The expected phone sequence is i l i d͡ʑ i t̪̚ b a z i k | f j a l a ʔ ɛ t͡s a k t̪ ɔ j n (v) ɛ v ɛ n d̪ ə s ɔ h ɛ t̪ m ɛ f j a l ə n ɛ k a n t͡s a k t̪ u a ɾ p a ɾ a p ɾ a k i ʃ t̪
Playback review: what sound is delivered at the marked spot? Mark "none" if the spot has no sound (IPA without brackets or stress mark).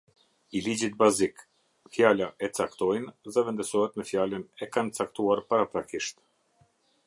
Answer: ð